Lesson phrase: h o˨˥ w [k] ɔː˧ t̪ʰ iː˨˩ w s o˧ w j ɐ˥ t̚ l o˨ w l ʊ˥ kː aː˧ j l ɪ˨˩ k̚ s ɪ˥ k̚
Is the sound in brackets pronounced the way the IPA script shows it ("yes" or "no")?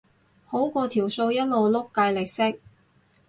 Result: yes